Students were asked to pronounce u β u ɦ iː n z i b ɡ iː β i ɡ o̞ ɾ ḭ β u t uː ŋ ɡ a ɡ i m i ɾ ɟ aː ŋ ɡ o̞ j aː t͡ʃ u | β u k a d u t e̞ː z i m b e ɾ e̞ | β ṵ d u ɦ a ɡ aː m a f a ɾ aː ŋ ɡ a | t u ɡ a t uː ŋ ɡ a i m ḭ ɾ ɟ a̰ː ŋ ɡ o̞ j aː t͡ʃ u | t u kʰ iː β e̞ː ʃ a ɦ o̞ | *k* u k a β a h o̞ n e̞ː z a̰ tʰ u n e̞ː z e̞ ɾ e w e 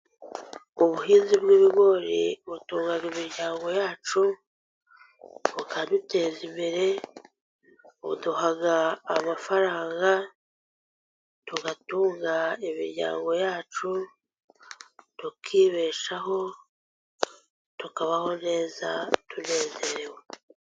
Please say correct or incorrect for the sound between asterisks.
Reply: incorrect